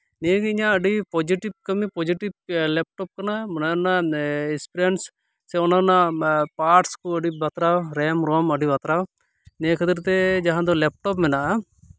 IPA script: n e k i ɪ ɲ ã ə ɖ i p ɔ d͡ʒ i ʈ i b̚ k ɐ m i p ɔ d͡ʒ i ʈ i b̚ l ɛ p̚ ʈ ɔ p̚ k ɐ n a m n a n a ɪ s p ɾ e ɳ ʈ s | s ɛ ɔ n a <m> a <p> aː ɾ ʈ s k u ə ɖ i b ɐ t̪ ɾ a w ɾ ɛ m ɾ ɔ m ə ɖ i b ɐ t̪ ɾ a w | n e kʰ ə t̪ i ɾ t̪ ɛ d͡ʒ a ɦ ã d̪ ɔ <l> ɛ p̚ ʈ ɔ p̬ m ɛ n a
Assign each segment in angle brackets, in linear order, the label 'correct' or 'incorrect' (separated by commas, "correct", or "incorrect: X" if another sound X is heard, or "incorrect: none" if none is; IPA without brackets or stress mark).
incorrect: n, correct, correct